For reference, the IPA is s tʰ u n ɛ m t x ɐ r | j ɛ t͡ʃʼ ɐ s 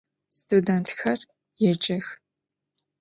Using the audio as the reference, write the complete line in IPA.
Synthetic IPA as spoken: s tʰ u d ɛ n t x ɐ r | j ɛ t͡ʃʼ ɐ x